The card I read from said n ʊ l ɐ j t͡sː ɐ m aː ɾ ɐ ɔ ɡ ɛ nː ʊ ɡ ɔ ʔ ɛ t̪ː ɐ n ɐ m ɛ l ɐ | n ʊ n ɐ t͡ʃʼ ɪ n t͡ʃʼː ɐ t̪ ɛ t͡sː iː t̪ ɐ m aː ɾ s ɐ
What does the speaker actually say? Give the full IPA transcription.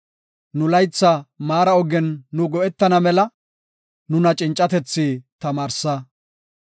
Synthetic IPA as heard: n ʊ l ɐ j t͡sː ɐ m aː ɾ ɐ ɔ ɡ ɛ nː ʊ ɡ ɔ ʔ ɛ t̪ː ɐ n ɐ m ɛ l ɐ | n ʊ n ɐ t͡ʃʼ ɪ n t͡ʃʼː ɐ t̪ ɛ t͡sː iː t̪ ɐ m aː ɾ s ɐ